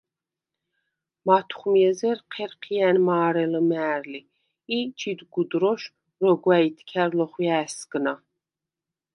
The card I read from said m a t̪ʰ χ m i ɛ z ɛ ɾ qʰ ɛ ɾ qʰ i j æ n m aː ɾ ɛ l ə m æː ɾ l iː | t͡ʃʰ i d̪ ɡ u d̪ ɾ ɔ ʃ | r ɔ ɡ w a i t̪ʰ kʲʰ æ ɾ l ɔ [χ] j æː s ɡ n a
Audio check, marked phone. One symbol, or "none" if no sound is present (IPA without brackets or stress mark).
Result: χ